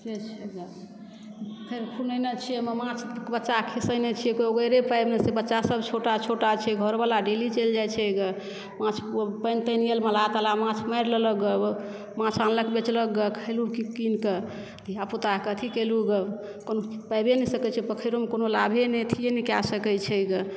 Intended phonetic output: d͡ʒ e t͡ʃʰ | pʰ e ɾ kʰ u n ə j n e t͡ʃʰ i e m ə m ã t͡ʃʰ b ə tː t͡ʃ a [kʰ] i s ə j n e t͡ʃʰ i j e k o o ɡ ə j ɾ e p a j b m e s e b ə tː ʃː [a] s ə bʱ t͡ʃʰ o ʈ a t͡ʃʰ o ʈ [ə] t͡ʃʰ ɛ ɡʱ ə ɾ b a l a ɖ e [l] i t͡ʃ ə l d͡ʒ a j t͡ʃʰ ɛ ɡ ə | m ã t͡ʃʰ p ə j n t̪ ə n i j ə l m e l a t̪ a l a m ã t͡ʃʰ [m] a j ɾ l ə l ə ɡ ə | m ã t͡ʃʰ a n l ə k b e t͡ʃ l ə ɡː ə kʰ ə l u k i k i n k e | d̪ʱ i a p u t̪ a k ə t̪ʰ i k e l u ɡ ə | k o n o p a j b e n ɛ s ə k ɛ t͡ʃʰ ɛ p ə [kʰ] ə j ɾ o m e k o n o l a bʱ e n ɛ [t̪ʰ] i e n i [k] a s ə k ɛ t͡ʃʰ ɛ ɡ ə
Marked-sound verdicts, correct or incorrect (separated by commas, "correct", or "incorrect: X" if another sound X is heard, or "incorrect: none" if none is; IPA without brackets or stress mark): correct, correct, incorrect: a, correct, correct, correct, correct, correct